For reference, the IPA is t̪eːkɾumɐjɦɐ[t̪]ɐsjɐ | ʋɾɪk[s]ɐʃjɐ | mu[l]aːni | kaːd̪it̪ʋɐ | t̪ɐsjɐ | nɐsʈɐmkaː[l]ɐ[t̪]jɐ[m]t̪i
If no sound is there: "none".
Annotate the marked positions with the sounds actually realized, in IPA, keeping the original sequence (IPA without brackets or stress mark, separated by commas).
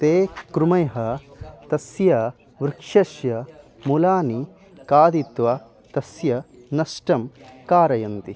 t̪, ʂ, l, ɾ, none, n